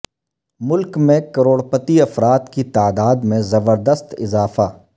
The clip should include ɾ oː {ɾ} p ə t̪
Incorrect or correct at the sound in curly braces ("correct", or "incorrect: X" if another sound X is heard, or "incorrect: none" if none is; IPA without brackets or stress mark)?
incorrect: ɽ